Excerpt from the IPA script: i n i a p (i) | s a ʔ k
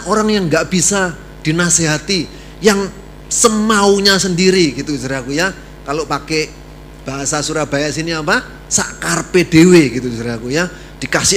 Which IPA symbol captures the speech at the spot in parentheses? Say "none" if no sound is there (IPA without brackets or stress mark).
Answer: a